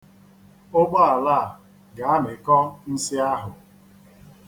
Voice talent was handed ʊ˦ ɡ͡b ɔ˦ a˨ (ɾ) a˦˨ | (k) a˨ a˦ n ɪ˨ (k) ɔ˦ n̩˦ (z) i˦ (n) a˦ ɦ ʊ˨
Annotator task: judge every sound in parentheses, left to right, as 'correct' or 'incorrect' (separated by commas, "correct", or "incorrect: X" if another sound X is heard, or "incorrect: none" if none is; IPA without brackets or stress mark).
incorrect: l, incorrect: ɡ, correct, incorrect: s, incorrect: none